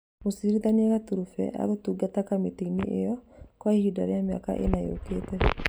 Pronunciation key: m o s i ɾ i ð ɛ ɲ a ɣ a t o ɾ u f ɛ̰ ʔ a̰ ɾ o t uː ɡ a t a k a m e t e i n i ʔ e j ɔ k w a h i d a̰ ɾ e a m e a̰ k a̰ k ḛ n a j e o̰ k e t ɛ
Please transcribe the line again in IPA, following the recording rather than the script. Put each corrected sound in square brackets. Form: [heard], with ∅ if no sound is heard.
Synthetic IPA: m o s i ɾ i ð [a] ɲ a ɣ a t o ɾ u f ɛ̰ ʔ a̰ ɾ o t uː ɡ a t a k a m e t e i n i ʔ e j ɔ k w a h i d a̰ ɾ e a m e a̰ k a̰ [ʔ] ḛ n a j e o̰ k e t ɛ